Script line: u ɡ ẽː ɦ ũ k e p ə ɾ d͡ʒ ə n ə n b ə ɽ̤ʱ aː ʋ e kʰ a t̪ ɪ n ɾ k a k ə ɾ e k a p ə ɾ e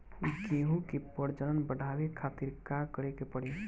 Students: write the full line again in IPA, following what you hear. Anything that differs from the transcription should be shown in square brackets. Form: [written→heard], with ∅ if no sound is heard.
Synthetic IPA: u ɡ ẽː ɦ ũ k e p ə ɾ d͡ʒ ə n ə n b ə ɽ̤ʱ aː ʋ e kʰ a t̪ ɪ [n→∅] ɾ k a k ə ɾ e k [a→e] p ə [ɾ→ɽ] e